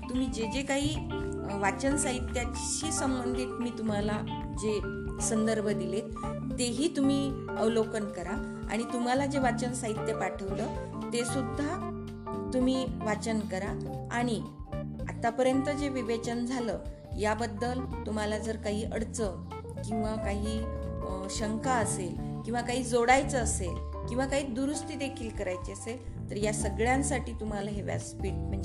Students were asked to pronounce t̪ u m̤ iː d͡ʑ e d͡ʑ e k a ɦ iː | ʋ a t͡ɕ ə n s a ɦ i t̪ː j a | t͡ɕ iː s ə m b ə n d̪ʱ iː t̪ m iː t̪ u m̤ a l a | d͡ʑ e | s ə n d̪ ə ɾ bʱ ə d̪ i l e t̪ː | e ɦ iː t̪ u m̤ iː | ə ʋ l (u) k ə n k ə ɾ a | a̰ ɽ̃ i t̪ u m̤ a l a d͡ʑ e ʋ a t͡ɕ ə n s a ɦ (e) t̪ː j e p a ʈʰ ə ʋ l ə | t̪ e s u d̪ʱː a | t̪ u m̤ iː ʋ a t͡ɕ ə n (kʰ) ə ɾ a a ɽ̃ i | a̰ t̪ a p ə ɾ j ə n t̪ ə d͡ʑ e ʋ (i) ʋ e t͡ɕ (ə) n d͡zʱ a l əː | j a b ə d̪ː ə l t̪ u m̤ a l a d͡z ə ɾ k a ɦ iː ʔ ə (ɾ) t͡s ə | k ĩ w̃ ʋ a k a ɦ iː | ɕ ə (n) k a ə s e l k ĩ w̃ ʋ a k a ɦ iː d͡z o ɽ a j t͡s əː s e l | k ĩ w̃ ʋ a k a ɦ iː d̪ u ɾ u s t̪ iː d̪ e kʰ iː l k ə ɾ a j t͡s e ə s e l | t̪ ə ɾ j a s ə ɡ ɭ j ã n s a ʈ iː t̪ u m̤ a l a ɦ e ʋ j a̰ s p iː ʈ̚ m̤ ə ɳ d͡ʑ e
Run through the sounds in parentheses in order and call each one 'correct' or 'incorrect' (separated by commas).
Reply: incorrect, incorrect, incorrect, correct, correct, incorrect, incorrect